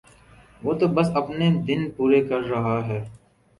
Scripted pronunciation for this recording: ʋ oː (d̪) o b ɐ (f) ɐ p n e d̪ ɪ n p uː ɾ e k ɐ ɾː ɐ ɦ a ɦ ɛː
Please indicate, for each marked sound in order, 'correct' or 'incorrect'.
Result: incorrect: t̪, incorrect: s

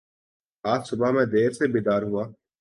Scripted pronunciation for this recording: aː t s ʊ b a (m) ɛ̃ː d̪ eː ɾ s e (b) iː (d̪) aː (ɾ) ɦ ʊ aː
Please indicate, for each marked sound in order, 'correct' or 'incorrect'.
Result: correct, correct, correct, correct

